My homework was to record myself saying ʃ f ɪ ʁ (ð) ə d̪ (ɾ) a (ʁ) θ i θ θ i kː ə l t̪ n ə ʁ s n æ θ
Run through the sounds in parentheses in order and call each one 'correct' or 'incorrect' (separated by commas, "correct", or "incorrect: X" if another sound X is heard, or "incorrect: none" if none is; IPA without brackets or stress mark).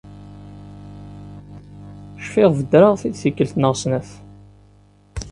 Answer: incorrect: v, correct, correct